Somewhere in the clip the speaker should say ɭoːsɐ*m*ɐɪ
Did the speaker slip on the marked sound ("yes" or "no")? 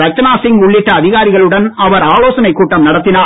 yes